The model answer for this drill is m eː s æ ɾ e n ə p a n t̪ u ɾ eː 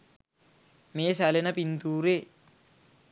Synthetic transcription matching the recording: m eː s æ l e n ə p i n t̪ uː ɾ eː

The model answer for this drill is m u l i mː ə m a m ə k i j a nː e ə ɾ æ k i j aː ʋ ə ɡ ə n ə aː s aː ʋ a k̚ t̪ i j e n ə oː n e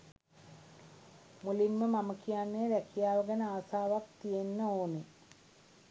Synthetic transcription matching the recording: m u l i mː ə m a m ə k i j a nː e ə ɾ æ k i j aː ʋ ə ɡ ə n ə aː s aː ʋ a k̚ t̪ i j e nː ə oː n e

